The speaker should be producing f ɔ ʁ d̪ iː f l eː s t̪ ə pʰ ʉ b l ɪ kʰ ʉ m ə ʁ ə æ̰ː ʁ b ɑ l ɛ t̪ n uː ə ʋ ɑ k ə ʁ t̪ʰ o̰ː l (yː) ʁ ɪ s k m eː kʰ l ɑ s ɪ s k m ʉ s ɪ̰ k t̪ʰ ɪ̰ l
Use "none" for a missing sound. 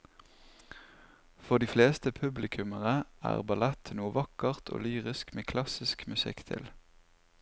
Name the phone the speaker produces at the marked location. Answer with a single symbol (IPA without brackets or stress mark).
yː